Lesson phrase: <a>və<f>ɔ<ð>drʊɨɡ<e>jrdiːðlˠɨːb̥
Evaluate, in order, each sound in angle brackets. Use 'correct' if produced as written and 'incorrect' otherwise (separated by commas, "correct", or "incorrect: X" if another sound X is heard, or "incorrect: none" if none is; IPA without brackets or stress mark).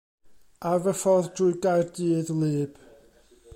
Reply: correct, correct, correct, incorrect: a